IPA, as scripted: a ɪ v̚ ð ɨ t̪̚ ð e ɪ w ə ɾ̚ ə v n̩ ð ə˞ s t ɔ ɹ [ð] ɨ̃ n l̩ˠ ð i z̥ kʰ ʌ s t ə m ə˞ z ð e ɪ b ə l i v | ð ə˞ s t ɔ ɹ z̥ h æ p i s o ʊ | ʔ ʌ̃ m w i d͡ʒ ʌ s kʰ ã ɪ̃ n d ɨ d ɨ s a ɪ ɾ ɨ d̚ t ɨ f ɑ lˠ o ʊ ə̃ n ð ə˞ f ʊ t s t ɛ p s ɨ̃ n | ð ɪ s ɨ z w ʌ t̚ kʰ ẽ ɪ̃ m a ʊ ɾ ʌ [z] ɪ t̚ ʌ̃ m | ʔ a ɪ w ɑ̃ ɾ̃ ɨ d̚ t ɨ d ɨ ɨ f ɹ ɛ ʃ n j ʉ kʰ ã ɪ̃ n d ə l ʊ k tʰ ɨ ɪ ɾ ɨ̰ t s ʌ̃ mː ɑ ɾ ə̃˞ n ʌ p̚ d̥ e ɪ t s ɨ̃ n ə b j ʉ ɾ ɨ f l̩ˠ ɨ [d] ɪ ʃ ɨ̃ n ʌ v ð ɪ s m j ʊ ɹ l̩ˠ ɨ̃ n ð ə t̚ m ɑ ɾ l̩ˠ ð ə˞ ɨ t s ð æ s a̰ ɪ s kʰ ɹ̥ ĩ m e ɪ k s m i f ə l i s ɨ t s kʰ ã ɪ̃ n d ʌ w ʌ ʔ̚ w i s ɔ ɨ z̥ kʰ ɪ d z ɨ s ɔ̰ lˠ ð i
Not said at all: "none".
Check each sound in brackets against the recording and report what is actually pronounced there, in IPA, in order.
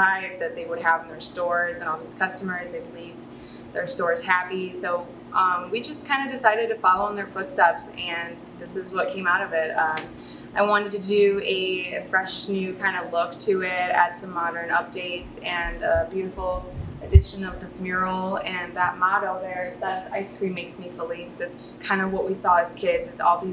z, v, d

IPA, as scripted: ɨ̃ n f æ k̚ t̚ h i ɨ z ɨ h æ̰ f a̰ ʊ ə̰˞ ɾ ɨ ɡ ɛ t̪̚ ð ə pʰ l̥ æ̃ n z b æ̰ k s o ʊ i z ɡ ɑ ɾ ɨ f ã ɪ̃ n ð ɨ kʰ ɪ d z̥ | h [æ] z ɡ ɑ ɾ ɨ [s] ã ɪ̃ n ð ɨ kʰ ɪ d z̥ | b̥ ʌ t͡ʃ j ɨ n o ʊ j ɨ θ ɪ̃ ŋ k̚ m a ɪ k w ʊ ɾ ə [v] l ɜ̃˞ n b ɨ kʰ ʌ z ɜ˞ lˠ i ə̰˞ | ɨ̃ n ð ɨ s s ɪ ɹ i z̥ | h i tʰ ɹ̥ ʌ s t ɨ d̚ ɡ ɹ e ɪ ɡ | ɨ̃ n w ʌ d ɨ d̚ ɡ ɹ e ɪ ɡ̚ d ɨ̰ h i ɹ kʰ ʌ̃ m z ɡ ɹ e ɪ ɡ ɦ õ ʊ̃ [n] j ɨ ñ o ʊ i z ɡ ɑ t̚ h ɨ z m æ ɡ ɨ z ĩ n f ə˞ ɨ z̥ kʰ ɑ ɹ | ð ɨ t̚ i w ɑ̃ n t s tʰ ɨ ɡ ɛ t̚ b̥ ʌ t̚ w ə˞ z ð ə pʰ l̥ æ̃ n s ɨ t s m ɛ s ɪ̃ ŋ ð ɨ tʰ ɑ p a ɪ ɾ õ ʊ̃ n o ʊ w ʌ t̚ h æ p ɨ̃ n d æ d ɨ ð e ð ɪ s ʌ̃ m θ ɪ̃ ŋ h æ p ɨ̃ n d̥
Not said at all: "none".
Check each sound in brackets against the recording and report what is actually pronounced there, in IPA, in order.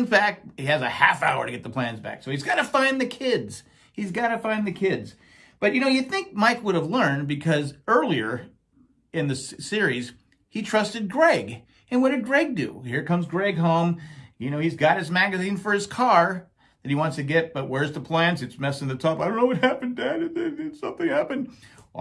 i, f, v, m

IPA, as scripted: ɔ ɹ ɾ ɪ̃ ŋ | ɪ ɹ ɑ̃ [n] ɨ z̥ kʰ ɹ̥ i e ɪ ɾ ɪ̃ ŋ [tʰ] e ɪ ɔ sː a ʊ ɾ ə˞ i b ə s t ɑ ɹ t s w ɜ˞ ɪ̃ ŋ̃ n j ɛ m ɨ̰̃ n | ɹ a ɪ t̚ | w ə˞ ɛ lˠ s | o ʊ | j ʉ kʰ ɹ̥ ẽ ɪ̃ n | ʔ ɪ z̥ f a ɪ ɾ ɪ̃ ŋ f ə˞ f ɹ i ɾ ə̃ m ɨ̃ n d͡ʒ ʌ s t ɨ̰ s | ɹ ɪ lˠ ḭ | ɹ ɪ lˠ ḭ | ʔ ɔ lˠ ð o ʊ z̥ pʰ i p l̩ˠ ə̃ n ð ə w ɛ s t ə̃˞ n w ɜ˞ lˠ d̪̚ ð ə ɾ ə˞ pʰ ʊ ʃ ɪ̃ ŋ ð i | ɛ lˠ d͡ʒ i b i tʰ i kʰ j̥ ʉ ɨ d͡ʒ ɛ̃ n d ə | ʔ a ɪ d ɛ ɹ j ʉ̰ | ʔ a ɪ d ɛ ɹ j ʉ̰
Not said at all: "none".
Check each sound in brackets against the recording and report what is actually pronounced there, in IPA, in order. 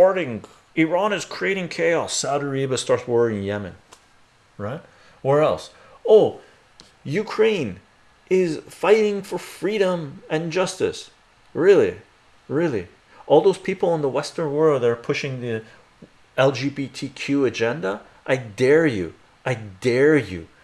n, kʰ

